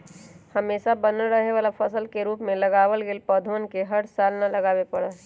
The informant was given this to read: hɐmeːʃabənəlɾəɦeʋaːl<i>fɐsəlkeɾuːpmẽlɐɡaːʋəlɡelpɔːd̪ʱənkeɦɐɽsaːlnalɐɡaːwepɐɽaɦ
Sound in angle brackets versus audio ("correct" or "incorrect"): incorrect